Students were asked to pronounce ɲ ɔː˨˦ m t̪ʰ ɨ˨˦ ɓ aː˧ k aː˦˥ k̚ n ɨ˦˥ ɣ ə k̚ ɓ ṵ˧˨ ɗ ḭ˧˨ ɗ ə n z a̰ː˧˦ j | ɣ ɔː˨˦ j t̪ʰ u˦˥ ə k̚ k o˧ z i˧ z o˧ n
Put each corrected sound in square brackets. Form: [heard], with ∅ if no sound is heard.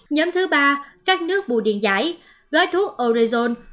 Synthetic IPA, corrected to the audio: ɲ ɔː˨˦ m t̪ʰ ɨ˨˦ ɓ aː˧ k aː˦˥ k̚ n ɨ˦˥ [∅] ə k̚ ɓ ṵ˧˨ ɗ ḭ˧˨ [∅] ə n z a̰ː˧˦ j | ɣ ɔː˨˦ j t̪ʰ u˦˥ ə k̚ [ʔ] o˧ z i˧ z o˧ n